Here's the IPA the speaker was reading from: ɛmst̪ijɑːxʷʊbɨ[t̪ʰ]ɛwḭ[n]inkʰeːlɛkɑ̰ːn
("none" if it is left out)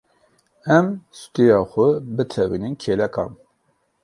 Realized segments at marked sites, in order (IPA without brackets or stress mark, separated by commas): t̪ʰ, n